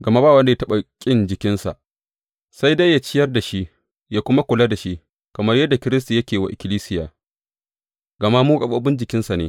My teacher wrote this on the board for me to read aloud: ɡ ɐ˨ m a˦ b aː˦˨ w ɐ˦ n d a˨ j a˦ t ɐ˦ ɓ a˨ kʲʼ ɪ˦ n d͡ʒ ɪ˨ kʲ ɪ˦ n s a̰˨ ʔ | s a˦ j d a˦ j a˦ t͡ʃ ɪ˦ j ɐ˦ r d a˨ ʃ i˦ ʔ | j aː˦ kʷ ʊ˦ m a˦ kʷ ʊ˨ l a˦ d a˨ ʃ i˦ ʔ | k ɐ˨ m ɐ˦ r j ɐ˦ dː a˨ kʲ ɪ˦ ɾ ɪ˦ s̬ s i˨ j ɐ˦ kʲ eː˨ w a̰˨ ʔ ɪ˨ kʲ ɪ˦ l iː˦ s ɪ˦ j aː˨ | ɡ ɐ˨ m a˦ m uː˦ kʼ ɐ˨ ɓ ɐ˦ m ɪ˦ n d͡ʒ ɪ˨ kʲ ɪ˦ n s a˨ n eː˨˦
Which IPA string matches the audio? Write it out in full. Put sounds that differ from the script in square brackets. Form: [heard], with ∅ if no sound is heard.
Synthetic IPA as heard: ɡ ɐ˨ m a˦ b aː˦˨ w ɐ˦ n d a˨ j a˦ t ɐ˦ ɓ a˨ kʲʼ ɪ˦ n d͡ʒ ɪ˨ kʲ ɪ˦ n s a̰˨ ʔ | s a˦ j d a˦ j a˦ t͡ʃ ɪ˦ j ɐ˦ r d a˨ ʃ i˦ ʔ | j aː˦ kʷ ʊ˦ m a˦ kʷ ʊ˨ l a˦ d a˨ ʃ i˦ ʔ | k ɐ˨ m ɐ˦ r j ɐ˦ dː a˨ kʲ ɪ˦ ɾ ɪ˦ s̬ [t] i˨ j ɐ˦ kʲ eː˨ w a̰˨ ʔ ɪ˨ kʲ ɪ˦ l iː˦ s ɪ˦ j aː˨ | ɡ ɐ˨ m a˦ m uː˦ kʼ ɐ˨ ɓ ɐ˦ [b] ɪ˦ n d͡ʒ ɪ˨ kʲ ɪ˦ n s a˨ n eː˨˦